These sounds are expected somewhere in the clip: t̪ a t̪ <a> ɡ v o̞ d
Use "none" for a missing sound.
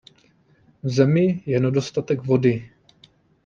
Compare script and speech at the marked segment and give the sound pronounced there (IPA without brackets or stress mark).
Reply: ɛ